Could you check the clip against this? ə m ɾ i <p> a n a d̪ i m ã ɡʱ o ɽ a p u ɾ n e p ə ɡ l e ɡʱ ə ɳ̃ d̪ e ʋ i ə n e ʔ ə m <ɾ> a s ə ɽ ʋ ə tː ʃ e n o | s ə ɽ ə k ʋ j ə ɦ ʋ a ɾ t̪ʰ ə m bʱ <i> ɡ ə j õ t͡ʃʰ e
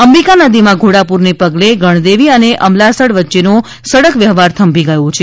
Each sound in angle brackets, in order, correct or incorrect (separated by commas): incorrect, incorrect, correct